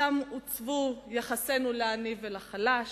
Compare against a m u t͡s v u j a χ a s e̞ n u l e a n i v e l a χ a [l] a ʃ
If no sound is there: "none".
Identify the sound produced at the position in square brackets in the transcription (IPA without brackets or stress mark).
l